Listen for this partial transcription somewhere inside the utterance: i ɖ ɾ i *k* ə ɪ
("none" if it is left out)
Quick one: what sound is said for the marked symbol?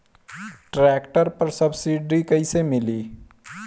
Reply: k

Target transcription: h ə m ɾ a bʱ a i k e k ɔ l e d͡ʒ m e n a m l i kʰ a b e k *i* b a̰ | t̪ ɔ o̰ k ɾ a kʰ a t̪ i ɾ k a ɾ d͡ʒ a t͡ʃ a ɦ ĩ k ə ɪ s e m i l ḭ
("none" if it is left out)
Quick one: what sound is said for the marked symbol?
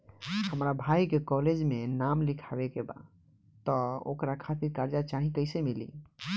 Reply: e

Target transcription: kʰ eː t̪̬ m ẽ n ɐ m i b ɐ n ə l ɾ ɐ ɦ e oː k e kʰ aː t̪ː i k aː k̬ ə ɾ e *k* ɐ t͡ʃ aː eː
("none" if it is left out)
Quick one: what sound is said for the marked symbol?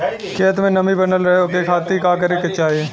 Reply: k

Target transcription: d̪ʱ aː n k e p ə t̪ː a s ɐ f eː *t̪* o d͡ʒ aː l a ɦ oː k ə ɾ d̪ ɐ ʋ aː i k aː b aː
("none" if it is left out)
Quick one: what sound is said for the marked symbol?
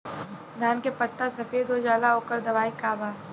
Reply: d̪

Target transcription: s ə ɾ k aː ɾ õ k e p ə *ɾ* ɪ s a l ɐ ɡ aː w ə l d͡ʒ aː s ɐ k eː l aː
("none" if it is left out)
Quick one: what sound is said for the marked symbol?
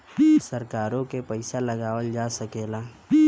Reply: none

